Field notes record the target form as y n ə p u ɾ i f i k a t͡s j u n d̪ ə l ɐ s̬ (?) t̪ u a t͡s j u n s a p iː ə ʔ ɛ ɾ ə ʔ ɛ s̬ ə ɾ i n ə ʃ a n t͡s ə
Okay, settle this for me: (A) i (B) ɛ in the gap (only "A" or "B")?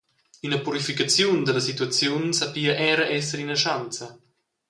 A